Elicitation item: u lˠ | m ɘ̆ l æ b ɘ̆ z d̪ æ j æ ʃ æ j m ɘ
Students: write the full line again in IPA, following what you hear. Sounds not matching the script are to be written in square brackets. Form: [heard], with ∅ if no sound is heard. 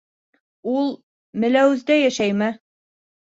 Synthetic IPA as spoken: u lˠ | m ɘ̆ l æ [w] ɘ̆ z d̪ æ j æ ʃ æ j m ɘ